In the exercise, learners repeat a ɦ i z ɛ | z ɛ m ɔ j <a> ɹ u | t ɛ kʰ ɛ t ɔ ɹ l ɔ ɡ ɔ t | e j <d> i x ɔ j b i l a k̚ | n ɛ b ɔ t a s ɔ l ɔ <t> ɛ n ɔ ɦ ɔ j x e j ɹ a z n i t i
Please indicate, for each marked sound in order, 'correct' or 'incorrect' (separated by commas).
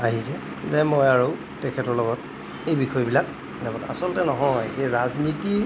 correct, incorrect, correct